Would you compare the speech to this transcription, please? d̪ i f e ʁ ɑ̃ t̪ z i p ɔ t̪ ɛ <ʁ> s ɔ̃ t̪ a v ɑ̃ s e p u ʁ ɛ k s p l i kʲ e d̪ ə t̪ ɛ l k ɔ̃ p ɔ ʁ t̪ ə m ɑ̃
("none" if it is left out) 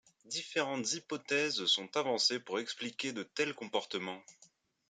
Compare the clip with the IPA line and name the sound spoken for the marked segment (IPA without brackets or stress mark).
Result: z